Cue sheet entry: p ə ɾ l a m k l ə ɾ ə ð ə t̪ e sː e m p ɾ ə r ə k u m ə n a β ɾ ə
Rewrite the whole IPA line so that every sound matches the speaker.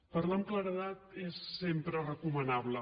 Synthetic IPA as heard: p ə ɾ l a m k l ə ɾ ə ð a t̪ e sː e m p ɾ ə r ə k u m ə n a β l ə